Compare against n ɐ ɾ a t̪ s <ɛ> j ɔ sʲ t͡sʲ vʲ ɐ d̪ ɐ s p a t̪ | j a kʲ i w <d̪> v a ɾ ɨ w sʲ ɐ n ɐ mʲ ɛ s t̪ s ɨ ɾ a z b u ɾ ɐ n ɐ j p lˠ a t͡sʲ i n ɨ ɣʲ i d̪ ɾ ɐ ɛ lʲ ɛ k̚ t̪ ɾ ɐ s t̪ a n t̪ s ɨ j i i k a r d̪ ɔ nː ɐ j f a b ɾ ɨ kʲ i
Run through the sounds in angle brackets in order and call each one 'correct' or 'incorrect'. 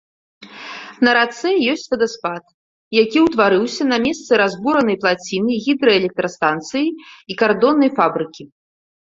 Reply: correct, incorrect

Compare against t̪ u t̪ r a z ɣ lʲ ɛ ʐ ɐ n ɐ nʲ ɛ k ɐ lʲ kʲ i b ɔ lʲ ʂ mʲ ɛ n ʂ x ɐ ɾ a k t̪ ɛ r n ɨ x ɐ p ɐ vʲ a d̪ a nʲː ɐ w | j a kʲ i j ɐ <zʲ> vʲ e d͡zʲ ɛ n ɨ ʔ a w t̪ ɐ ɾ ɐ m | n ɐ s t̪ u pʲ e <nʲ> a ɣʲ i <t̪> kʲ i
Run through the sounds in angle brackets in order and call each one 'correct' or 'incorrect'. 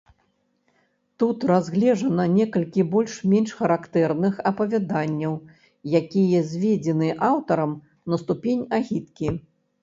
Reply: correct, correct, correct

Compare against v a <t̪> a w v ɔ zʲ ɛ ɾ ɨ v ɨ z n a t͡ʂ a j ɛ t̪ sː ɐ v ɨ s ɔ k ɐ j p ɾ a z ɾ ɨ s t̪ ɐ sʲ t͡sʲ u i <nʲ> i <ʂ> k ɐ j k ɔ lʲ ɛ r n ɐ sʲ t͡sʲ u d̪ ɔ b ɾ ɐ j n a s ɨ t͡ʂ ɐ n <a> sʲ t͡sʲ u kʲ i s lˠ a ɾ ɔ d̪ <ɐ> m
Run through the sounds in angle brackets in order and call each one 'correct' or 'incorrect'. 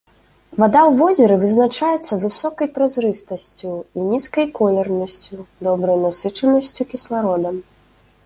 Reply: incorrect, correct, incorrect, incorrect, correct

